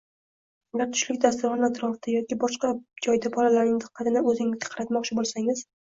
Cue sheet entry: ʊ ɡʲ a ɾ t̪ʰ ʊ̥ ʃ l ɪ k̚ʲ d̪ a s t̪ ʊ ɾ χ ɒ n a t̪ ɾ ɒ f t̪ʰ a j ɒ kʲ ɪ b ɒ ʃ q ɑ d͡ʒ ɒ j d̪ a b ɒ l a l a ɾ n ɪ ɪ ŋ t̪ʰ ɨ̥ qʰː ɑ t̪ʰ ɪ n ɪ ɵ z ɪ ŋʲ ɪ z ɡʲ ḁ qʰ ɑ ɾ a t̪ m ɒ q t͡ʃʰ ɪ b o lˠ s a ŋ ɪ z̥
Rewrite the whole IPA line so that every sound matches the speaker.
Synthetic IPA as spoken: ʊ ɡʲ a ɾ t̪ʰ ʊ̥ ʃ l ɪ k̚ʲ d̪ a s t̪ ʊ ɾ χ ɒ n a t̪ ɾ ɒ f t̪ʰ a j ɒ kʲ ɪ b ɒ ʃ q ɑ d͡ʒ ɒ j d̪ a b ɒ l a l a ɾ n ɪ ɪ ŋ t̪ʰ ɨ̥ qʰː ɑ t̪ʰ ɪ n ɪ ɵ z ɪ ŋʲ ɪ z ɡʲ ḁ qʰ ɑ ɾ a t̪ m ɒ q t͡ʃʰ ɪ b o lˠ s a ŋ ɪ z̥

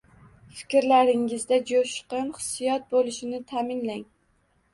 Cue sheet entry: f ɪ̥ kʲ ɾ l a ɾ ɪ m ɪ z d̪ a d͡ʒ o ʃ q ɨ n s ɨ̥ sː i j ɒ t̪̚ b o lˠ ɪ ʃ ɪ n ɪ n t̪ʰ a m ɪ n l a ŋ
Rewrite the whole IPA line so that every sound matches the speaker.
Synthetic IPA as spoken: f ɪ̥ kʲ ɾ l a ɾ ɪ ŋ ɪ z d̪ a d͡ʒ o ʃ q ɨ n χ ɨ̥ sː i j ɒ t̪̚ b o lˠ ɪ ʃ ɪ n ɪ t̪ʰ a m ɪ n l a ŋ

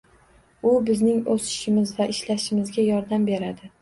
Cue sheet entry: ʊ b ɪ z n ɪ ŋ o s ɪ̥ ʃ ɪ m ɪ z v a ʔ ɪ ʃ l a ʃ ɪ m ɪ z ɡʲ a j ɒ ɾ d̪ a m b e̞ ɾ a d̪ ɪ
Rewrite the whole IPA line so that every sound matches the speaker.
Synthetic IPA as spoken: ʊ b ɪ z n ɪ ŋ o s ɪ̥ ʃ ɪ m ɪ z v a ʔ ɪ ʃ l a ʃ ɪ m ɪ z ɡʲ a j ɒ ɾ d̪ a m b e̞ ɾ a d̪ ɪ

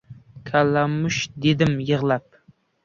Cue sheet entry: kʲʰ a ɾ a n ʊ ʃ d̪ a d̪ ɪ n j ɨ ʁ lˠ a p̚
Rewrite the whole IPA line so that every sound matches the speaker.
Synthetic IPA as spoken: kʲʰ a l a m ʊ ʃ d̪ e d̪ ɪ m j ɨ ʁ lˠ a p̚

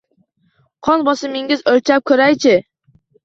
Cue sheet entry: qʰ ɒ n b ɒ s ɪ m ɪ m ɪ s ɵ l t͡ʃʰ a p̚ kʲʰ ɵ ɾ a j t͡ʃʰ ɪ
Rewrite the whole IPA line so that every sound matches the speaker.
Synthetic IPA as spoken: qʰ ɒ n b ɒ s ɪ m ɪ ŋ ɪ z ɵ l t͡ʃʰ a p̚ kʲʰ ɵ ɾ a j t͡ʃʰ ɪ

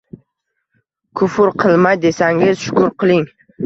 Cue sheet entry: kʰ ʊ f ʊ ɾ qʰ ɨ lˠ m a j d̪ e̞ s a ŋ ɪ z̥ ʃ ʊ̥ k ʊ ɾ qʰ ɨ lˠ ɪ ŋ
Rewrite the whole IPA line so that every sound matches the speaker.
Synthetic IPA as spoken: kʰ ʊ f ʊ ɾ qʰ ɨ lˠ m a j d̪ e̞ s a ŋ ɪ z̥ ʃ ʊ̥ k ʊ ɾ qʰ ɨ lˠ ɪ ŋ

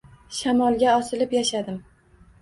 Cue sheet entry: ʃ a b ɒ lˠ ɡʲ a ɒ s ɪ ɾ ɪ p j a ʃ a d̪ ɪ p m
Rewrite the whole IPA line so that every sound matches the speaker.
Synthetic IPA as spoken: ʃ a m ɒ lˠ ɡʲ a ɒ s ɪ l ɪ p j a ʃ a d̪ ɪ m

